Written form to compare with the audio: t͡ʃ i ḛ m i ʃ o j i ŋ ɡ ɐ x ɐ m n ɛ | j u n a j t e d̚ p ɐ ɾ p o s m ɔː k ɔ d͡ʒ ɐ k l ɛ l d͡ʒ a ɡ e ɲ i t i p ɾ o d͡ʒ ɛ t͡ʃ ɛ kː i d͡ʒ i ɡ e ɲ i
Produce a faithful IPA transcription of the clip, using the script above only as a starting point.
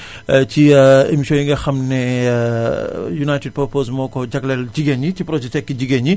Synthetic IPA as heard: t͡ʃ i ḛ m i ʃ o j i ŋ ɡ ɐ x ɐ m n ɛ | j u n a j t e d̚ p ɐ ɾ p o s m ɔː k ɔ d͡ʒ ɐ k l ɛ l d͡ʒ i ɡ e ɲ i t i p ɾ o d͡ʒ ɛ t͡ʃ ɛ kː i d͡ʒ i ɡ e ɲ i